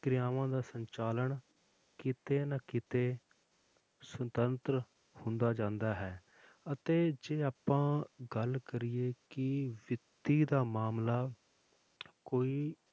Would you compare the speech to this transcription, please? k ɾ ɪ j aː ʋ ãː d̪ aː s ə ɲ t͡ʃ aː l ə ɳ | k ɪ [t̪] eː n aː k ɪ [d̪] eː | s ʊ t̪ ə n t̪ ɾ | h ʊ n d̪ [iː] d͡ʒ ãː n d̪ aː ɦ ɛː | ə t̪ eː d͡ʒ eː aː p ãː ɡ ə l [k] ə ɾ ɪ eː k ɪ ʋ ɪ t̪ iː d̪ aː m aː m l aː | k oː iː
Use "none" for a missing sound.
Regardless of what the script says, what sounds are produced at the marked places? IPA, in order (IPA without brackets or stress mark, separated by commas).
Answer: t̪, t̪, aː, k